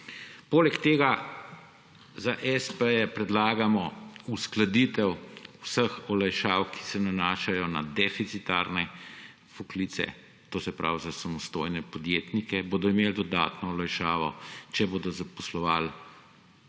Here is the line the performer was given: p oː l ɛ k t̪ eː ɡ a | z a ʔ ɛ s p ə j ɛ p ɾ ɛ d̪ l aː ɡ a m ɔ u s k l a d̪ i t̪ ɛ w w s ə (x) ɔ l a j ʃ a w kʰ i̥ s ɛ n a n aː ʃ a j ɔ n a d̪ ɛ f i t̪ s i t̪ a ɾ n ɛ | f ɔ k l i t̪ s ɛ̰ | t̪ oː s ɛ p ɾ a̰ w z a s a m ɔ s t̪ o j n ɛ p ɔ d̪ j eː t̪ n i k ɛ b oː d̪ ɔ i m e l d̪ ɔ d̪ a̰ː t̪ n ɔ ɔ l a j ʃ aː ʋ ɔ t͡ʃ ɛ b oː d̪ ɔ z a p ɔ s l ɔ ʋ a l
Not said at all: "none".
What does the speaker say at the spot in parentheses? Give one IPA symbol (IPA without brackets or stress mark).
x